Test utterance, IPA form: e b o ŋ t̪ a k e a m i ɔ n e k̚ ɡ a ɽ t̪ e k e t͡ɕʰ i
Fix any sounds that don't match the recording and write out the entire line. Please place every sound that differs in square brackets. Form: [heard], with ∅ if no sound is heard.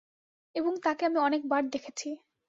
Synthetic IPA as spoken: e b o ŋ t̪ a k e a m i ɔ n e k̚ [b] a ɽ [d̪] e [kʰ] e t͡ɕʰ i

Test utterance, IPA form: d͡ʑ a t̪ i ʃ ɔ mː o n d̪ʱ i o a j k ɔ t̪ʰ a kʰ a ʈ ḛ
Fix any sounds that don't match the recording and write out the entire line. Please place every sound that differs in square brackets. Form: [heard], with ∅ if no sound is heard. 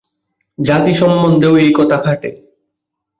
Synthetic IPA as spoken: d͡ʑ a t̪ i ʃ ɔ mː o n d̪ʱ [e] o [e] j k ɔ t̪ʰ a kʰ a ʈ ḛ

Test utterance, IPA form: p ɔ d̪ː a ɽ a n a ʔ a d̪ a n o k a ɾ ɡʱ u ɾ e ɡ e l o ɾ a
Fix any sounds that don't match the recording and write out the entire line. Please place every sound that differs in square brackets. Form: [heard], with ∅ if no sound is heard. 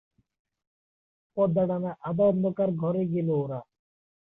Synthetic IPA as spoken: p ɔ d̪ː a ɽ a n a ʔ a d̪ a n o k a ɾ ɡʱ [ɔ] ɾ e ɡ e l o ɾ a

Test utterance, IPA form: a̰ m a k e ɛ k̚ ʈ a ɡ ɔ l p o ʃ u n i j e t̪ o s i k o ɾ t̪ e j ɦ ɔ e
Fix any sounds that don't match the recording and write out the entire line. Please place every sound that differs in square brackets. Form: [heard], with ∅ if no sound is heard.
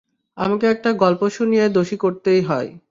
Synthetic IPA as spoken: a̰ m a k e ɛ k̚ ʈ a ɡ ɔ l p o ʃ u n i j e [d̪] o [ʃ] i k o ɾ t̪ e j ɦ ɔ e

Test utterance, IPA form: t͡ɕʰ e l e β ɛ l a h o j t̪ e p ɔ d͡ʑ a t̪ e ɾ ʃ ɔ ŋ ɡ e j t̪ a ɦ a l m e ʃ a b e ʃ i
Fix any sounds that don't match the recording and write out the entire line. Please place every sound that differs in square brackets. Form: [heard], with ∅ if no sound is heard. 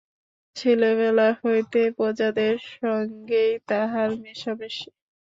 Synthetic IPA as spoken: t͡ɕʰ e l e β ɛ l a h o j t̪ e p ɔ d͡ʑ a [d̪] e ɾ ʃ ɔ ŋ ɡ e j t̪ a ɦ a [ɾ] m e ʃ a b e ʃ i

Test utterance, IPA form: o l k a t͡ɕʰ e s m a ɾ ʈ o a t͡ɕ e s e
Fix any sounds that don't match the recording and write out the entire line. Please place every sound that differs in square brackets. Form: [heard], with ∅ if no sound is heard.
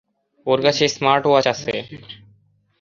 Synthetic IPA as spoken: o [ɾ] k a t͡ɕʰ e s m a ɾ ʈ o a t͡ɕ [a] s e

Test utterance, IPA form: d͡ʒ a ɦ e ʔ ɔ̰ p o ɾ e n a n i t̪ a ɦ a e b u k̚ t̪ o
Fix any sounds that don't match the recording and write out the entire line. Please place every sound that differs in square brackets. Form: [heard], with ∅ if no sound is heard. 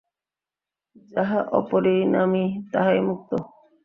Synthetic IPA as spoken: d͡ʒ a ɦ [a] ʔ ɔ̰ p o ɾ e n a [m] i t̪ a ɦ a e [m] u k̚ t̪ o

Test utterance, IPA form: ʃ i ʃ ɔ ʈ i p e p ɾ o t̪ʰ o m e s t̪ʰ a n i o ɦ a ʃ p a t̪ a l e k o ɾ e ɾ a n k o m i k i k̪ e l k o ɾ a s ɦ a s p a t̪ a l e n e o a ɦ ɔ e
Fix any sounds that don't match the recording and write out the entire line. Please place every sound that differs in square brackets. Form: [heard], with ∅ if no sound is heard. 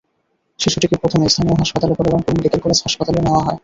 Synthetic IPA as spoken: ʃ i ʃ [u] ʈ i [k] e p ɾ o t̪ʰ o m e s t̪ʰ a n i o ɦ a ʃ p a t̪ a l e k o ɾ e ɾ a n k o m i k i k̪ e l k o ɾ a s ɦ a [ʃ] p a t̪ a l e n e o a ɦ ɔ e

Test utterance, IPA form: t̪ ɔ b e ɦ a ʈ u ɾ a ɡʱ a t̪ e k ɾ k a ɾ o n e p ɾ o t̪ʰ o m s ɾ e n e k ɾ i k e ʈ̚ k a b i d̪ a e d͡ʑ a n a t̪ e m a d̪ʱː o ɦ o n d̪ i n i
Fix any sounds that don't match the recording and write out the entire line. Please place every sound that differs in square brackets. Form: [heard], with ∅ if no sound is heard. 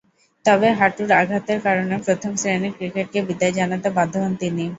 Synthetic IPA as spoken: t̪ ɔ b e ɦ a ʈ u ɾ a ɡʱ a t̪ e [∅] ɾ k a ɾ o n e p ɾ o t̪ʰ o m s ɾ e n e k ɾ i k e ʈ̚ k [e] b i d̪ a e d͡ʑ a n a t̪ e [b] a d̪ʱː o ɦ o n [t̪] i n i

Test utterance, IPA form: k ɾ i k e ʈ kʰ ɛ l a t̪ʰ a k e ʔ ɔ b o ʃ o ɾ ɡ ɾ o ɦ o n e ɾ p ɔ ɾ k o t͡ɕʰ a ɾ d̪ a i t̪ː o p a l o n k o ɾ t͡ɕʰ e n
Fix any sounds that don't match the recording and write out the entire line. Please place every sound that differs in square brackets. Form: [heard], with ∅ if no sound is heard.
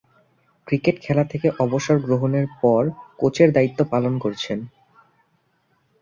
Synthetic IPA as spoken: k ɾ i k e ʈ kʰ ɛ l a t̪ʰ [e] k e ʔ ɔ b o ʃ o ɾ ɡ ɾ o ɦ o n e ɾ p ɔ ɾ k o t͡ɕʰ [e] ɾ d̪ a i t̪ː o p a l o n k o ɾ t͡ɕʰ e n

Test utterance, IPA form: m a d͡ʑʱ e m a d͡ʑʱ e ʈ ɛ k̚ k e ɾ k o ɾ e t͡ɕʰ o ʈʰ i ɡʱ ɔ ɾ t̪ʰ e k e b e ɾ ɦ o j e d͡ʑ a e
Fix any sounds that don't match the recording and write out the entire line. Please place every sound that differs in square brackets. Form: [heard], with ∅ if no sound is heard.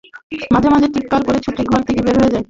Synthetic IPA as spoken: m a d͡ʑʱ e m a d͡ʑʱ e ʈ [i] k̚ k [a] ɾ k o ɾ e t͡ɕʰ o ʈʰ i ɡʱ ɔ ɾ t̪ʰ e k e b e ɾ ɦ o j e d͡ʑ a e

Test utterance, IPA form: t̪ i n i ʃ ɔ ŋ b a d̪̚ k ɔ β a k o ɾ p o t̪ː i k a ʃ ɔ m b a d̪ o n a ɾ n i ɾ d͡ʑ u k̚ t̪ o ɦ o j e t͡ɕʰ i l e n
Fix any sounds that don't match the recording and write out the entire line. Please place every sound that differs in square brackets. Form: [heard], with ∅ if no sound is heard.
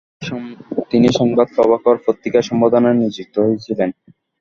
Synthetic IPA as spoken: t̪ i n i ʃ ɔ ŋ b a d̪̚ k ɔ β a k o ɾ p o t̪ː i k a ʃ ɔ m b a d̪ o n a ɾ n i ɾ d͡ʑ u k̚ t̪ o ɦ o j e t͡ɕʰ i l e n

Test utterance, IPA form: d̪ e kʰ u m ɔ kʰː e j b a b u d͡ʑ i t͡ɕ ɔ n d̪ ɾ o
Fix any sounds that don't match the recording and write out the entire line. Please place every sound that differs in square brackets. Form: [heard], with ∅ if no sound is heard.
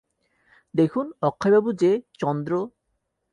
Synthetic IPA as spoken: d̪ e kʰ u [n] ɔ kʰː [a] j b a b u d͡ʑ [e] t͡ɕ ɔ n d̪ ɾ o

